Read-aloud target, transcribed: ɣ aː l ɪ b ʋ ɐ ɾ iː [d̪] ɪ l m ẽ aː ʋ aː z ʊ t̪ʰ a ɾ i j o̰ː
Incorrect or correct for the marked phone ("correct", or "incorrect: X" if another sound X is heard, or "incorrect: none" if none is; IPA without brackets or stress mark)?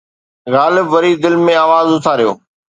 correct